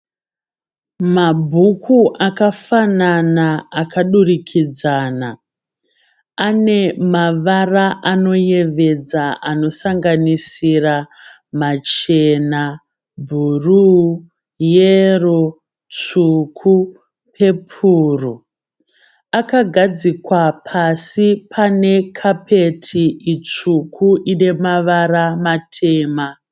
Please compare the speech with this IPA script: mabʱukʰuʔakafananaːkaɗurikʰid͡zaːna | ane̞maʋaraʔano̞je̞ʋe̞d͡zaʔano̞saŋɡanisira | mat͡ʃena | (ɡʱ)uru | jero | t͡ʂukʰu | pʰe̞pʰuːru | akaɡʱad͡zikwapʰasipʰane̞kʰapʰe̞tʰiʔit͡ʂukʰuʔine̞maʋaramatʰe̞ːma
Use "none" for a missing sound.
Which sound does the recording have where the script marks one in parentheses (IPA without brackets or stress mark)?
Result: bʱ